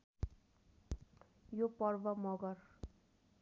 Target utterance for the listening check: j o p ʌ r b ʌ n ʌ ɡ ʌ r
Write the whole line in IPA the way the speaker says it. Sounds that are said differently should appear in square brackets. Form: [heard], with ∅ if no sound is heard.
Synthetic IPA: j o p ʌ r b ʌ [m] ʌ ɡ ʌ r